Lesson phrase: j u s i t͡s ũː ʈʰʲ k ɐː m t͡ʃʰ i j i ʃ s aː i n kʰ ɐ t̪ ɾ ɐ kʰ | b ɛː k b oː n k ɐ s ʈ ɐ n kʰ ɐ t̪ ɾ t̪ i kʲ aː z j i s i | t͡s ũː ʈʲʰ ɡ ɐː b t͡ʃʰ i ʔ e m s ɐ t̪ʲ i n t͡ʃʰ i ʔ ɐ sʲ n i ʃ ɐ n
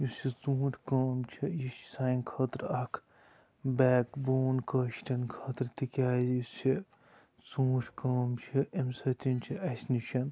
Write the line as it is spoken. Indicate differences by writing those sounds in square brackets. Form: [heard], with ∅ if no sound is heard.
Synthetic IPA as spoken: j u s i t͡s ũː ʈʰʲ k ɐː m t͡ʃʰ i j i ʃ s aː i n kʰ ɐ t̪ ɾ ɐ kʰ | b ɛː k b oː n k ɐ [ʃ] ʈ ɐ n kʰ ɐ t̪ ɾ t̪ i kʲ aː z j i s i | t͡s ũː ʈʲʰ [k] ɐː [m] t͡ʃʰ i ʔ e m s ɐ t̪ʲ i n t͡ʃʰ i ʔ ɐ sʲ n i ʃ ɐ n